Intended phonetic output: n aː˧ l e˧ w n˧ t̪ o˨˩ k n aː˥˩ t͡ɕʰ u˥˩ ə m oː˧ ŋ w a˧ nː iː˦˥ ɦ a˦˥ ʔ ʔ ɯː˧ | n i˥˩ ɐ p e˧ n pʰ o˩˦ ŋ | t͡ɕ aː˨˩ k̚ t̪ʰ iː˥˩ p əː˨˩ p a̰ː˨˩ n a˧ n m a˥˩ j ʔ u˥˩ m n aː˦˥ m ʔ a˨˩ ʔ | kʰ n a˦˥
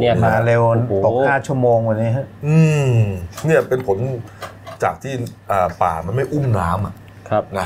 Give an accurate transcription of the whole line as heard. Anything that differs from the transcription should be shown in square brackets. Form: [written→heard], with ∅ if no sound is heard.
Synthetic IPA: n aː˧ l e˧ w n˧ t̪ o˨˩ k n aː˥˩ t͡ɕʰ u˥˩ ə m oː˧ ŋ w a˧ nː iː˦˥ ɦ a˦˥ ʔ ʔ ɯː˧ | n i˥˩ ɐ p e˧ n pʰ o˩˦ [ŋ→n] | t͡ɕ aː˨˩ k̚ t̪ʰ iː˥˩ [p→ʔ] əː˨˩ p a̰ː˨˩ [n→m] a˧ n m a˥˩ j ʔ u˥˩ m n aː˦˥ m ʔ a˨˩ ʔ | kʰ n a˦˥